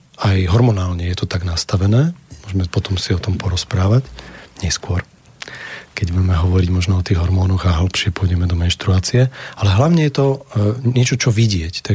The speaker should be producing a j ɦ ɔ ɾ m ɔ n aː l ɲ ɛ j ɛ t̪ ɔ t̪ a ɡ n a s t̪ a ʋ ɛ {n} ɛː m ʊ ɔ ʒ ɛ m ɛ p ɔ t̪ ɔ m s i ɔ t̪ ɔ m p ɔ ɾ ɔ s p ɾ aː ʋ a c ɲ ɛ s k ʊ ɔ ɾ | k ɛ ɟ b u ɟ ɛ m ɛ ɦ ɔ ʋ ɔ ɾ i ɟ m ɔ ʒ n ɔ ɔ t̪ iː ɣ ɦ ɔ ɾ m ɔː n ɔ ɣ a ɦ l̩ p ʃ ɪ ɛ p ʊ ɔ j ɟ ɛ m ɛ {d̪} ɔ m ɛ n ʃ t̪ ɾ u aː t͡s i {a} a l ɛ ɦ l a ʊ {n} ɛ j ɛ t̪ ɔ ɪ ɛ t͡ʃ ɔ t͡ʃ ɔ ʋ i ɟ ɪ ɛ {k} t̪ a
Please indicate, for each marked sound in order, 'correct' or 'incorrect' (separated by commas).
correct, correct, incorrect, incorrect, incorrect